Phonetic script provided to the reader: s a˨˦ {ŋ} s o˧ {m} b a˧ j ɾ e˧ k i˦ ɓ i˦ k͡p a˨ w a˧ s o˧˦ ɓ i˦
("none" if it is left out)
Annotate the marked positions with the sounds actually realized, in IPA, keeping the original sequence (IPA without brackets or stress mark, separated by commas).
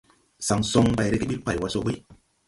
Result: ŋ, ŋ